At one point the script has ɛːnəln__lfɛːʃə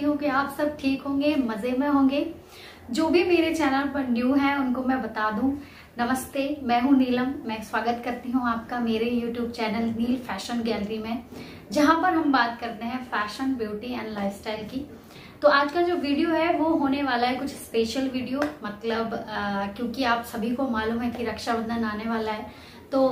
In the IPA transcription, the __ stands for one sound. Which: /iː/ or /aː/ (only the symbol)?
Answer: iː